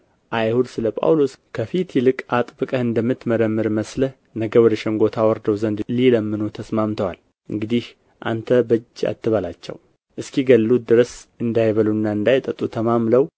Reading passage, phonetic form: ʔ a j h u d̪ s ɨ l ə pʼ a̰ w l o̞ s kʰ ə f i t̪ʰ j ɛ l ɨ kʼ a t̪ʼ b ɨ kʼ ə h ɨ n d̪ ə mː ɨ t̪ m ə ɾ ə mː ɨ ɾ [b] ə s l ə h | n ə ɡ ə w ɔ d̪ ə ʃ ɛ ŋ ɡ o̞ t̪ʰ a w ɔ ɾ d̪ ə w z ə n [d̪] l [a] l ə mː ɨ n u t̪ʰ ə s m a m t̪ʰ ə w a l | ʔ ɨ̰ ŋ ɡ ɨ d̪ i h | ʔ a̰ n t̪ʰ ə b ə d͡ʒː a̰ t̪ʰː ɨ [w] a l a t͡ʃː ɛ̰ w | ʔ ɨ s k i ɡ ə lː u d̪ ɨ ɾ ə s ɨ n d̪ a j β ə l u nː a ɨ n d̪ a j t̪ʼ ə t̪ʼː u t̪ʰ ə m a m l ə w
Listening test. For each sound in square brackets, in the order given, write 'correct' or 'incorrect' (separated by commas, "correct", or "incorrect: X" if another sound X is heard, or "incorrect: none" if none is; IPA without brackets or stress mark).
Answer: incorrect: m, correct, incorrect: i, incorrect: β